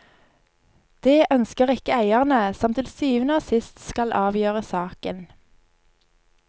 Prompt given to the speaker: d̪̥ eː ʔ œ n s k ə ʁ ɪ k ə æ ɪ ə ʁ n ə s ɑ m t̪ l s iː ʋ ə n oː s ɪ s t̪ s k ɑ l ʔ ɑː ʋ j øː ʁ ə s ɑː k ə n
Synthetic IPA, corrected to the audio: d̪̥ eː ʔ œ n s k ə ʁ ɪ k ə æ ɪ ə ʁ n ə s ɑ m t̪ l s yː ʋ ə n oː s ɪ s t̪ s k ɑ l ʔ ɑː ʋ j øː ʁ ə s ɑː k ə n